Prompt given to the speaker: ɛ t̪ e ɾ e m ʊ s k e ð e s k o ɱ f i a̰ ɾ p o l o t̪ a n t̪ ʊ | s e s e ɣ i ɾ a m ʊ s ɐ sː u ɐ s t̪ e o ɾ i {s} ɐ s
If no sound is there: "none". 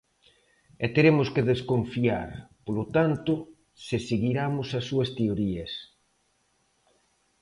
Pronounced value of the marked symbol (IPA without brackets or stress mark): none